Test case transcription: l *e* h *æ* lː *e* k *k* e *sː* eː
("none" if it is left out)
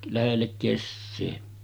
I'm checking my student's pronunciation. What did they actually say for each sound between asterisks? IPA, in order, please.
æ, e, e, k, sː

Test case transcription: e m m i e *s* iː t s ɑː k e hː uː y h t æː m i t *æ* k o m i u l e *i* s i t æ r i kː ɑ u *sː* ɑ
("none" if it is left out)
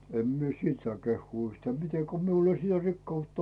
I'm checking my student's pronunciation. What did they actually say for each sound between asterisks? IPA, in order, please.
s, e, i, tː

